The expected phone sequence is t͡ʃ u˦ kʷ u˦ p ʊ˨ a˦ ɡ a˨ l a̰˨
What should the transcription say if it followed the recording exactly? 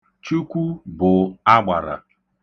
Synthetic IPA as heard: t͡ʃ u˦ kʷ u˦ b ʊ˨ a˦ ɡ͡b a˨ ɾ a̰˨